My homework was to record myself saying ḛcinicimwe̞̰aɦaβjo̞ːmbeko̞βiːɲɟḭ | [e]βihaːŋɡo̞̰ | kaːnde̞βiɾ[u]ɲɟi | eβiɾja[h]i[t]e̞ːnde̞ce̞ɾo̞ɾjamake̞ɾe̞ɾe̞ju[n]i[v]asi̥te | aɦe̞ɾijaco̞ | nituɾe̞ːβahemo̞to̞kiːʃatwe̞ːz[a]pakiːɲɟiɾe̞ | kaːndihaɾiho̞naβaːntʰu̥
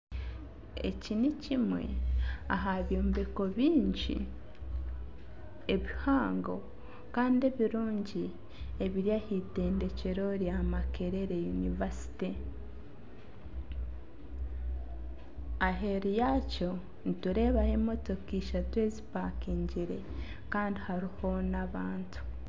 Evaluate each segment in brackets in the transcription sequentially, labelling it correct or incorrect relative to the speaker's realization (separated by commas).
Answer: correct, incorrect, correct, correct, correct, correct, incorrect